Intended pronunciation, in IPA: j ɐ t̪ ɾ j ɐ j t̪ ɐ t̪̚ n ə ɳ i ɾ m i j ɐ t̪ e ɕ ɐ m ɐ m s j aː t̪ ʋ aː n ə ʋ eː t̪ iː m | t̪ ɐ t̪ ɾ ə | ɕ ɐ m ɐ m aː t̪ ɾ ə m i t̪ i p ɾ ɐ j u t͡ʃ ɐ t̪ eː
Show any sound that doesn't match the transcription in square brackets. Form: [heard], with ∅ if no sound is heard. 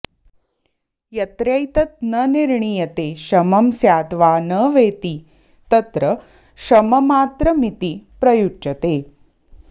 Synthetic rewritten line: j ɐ t̪ ɾ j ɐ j t̪ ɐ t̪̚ n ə [n] i ɾ [ɳ] i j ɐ t̪ e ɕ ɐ m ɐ m s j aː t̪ ʋ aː n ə ʋ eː t̪ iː [∅] | t̪ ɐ t̪ ɾ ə | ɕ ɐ m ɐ m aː t̪ ɾ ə m i t̪ i p ɾ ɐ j u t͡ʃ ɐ t̪ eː